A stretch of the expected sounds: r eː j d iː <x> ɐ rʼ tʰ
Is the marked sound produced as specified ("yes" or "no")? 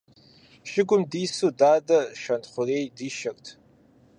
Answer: no